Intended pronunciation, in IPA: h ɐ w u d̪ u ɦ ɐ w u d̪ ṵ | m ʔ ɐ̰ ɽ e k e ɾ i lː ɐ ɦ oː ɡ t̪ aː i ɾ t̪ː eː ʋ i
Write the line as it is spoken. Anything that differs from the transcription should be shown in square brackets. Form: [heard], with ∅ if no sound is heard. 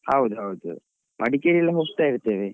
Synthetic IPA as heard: h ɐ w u d̪ u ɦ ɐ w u d̪ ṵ | m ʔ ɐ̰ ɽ [i] k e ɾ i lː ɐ ɦ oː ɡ t̪ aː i ɾ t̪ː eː ʋ [e]